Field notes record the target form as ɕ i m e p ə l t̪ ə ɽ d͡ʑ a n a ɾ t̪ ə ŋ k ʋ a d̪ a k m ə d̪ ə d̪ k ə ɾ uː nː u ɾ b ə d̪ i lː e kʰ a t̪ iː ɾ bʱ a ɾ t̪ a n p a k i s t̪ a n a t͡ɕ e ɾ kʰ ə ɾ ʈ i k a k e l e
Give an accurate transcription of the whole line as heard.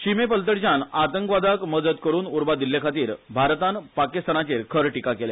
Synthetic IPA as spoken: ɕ i m e p ə l t̪ ə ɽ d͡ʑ a n a t̪ ə ŋ k ʋ a d̪ a k m ə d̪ ə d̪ k ə ɾ uː n u ɾ b a d̪ i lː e kʰ a t̪ iː ɾ bʱ a ɾ t̪ a n p a k i s t̪ a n a t͡ɕ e ɾ kʰ ə ɾ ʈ i k a k e l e